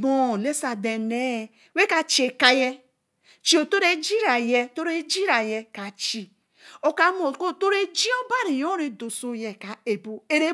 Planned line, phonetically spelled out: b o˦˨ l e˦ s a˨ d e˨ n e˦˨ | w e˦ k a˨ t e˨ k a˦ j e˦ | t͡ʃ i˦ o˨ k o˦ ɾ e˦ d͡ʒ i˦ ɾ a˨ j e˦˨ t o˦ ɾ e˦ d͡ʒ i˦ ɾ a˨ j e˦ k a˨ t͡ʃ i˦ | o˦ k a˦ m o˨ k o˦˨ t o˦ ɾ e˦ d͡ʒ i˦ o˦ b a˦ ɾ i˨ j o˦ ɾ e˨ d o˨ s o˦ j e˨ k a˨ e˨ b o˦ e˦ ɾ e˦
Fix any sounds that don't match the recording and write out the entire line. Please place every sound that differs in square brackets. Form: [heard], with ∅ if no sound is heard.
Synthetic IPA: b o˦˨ l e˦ s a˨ d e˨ n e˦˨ | w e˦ k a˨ [t͡ʃ] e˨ k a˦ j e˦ | t͡ʃ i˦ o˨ [t] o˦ ɾ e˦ d͡ʒ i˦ ɾ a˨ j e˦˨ t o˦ ɾ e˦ d͡ʒ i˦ ɾ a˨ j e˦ k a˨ t͡ʃ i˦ | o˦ k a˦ m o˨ k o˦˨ t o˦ ɾ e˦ d͡ʒ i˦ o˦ b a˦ ɾ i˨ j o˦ ɾ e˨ d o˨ s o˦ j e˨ k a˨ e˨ b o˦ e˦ ɾ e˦